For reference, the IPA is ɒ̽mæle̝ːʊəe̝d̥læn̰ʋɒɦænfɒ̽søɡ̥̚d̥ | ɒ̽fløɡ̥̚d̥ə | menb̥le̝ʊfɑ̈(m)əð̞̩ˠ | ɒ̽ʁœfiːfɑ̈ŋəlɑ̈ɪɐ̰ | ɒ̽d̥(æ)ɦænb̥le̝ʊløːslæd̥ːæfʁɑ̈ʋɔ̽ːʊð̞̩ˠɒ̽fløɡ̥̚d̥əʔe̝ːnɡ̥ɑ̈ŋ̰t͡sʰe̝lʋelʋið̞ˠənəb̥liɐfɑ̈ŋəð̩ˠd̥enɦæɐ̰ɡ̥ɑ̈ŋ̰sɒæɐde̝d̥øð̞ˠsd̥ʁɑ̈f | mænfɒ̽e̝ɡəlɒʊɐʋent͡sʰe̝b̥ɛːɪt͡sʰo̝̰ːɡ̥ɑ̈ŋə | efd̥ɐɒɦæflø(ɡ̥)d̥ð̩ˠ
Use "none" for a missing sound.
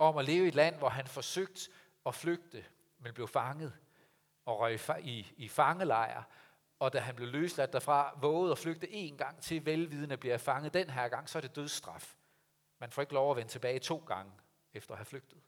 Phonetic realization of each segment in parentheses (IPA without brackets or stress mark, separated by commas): ŋ, æ, ɡ̥